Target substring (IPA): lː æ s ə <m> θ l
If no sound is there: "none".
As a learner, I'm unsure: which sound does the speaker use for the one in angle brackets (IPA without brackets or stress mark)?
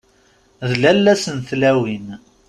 n